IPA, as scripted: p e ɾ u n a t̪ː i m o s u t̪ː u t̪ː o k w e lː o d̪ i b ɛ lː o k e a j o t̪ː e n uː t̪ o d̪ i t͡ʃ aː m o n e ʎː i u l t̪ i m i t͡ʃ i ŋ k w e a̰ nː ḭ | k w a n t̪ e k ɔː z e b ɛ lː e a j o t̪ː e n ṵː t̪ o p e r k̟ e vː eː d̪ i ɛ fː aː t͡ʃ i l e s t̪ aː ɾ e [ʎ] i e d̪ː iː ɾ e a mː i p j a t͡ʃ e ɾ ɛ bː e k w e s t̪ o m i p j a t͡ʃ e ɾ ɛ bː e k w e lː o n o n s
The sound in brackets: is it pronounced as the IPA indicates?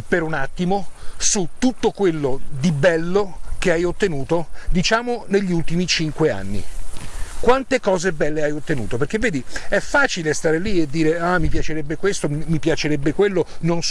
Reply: no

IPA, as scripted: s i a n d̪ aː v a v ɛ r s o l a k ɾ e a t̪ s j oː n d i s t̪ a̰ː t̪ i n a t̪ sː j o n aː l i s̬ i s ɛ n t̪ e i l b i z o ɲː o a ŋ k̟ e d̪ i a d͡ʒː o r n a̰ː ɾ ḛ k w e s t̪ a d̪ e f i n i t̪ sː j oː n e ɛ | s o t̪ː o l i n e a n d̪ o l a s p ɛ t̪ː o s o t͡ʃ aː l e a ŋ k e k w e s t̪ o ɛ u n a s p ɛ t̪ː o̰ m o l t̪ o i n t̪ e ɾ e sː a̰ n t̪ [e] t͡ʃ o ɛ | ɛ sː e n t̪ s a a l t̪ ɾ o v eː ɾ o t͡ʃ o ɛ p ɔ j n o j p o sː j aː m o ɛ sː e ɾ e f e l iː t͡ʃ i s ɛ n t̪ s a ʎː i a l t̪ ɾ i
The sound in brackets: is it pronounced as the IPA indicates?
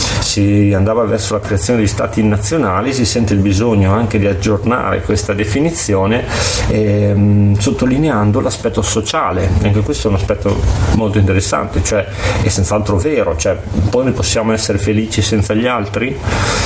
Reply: yes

